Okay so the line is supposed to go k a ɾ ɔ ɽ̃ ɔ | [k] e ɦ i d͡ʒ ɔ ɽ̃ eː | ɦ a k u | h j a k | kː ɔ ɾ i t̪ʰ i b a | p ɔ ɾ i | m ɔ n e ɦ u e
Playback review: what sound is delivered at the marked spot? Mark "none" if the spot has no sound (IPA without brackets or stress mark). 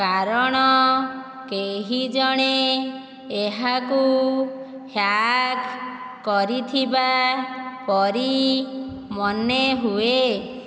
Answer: k